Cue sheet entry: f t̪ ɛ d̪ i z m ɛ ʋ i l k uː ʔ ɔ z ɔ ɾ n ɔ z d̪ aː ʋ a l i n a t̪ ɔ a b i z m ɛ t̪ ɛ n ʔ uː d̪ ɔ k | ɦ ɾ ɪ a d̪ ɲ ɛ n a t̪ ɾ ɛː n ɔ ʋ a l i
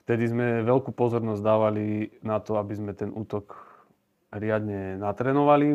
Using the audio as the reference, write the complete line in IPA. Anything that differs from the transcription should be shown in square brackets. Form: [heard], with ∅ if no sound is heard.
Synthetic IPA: f t̪ ɛ d̪ i z m ɛ ʋ [ɛ] l k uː [p] ɔ z ɔ ɾ n ɔ z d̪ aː ʋ a l i n a t̪ ɔ a b i z m ɛ t̪ ɛ n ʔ uː [t̪] ɔ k | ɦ ɾ ɪ a d̪ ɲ ɛ n a t̪ ɾ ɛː n ɔ ʋ a l i